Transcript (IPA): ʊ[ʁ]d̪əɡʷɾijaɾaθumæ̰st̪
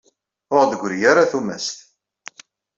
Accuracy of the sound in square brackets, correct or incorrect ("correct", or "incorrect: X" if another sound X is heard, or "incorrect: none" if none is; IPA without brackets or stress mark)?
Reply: correct